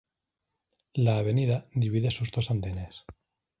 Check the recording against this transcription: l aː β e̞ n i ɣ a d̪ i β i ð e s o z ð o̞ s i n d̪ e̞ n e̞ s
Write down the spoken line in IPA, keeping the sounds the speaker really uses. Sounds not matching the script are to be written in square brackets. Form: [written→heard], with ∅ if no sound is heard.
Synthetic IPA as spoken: l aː β e̞ n i [ɣ→ð] a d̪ i β i ð e s [o→u] z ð o̞ s [i→a] n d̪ e̞ n e̞ s